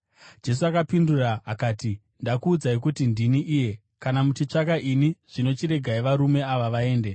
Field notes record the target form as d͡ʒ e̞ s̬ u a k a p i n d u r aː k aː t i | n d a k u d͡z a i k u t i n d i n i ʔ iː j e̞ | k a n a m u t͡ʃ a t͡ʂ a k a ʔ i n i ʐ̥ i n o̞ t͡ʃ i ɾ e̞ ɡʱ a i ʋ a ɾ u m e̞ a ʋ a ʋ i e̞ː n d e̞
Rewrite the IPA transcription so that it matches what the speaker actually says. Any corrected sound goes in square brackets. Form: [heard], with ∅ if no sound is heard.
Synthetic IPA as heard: d͡ʒ e̞ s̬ u a k a p i n d u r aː k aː t i | n d a k [uː] d͡z a i k u t i n d i n i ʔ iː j e̞ | k a n a m u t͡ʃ [i] t͡ʂ a k a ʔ i n i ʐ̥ i n o̞ t͡ʃ i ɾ e̞ ɡʱ a i ʋ a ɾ u m e̞ a ʋ a ʋ [a] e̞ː n d e̞